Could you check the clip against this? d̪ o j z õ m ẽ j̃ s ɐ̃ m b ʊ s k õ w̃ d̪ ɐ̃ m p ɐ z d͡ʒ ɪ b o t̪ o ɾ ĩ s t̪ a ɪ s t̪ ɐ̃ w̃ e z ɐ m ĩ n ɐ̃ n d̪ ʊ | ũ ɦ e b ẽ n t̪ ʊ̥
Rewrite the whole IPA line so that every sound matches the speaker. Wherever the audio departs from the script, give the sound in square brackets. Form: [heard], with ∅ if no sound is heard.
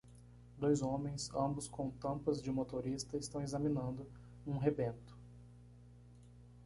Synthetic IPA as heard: d̪ o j z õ m ẽ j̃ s ɐ̃ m b ʊ s k õ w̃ [t̪] ɐ̃ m p ɐ z d͡ʒ ɪ [m] o t̪ o ɾ [i] s t̪ [ɐ] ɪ s t̪ ɐ̃ w̃ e z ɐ m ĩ n ɐ̃ n d̪ ʊ | ũ ɦ e b ẽ n t̪ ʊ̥